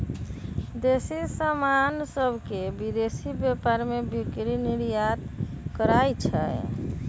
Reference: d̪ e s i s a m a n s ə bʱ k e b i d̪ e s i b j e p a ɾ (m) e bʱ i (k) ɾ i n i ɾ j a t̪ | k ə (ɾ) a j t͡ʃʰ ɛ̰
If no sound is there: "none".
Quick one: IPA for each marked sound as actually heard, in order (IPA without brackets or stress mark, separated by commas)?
m, k, ɾ